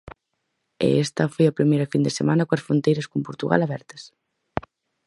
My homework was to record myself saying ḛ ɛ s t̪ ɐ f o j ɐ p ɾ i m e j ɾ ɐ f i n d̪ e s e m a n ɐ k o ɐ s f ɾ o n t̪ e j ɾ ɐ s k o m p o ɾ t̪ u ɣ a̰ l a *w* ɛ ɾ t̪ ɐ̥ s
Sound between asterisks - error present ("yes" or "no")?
yes